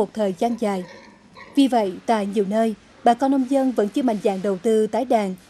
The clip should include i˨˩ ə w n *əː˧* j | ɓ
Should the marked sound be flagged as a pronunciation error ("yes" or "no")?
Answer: no